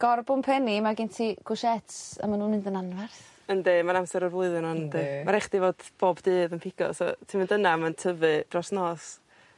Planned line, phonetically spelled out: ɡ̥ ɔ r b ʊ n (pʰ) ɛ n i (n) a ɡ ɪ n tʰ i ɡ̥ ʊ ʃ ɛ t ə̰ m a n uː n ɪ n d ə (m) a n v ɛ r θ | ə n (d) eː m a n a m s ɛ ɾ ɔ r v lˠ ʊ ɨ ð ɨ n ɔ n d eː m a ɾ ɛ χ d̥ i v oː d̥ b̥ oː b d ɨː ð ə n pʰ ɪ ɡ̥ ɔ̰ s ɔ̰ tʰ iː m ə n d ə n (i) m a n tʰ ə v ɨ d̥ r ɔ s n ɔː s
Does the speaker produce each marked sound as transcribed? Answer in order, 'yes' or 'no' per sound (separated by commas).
yes, no, no, yes, no